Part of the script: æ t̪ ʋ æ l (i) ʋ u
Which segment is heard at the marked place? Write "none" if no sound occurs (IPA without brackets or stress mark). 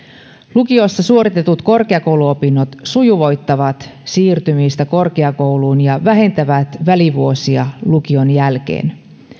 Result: i